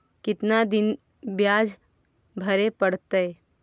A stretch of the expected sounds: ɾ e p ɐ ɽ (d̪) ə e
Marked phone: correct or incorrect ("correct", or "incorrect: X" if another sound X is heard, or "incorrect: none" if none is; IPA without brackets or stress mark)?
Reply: incorrect: t̪